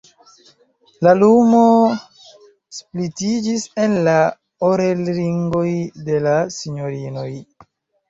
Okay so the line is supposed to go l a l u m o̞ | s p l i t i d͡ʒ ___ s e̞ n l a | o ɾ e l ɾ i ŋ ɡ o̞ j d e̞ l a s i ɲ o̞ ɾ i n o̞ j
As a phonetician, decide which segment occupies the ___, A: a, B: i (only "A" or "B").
B